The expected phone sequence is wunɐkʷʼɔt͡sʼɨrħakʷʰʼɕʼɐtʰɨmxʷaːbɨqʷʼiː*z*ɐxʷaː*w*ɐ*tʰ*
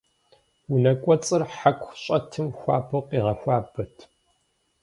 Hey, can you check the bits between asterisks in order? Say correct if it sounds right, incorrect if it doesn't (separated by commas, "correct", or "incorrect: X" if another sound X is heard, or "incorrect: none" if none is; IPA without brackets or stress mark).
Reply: incorrect: ʁ, incorrect: b, correct